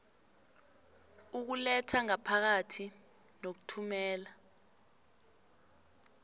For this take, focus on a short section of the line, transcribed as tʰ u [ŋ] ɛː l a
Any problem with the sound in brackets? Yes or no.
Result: yes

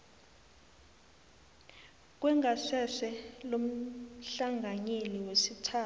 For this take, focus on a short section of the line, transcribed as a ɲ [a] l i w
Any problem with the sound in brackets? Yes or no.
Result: yes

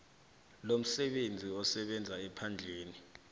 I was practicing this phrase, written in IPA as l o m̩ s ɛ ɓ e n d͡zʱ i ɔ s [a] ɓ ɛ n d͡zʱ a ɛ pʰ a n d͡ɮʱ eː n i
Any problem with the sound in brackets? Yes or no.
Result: yes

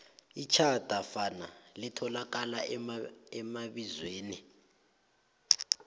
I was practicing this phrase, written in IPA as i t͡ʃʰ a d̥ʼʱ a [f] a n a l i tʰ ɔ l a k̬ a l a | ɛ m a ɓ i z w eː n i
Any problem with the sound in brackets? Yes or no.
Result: no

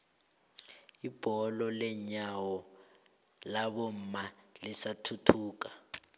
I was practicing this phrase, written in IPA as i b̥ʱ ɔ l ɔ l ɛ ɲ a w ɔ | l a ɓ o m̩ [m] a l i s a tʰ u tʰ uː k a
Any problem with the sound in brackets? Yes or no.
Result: no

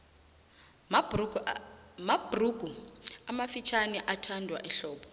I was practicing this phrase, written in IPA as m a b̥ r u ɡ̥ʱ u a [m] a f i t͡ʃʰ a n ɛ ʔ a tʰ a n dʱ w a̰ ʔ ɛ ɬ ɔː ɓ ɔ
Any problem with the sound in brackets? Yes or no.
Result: no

